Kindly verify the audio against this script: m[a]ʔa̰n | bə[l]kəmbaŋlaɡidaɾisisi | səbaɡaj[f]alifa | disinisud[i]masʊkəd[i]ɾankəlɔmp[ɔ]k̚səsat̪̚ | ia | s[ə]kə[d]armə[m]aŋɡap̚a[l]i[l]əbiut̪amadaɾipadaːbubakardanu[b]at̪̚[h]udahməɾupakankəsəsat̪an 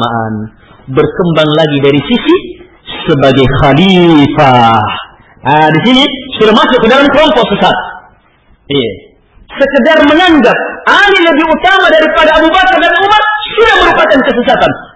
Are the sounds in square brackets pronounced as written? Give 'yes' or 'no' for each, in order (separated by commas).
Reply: yes, no, no, no, no, yes, yes, yes, no, yes, yes, no, no